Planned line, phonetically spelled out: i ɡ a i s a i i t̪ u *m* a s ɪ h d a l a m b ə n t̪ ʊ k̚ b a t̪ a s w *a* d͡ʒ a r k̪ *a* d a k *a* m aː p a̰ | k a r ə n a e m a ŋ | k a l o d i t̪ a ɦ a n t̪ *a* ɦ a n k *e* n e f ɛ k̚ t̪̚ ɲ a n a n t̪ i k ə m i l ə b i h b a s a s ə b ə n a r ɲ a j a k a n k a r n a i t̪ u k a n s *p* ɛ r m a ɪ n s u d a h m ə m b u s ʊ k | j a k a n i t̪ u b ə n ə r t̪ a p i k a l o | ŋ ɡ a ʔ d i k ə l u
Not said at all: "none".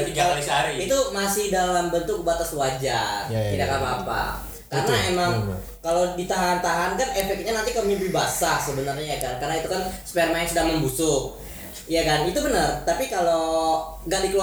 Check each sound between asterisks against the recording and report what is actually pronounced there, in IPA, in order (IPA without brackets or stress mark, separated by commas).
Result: m, a, i, a, a, a, p